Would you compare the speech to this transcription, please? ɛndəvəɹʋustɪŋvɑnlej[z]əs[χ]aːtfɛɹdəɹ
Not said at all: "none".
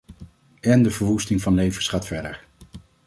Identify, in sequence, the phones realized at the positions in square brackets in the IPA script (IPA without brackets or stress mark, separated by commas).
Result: v, χ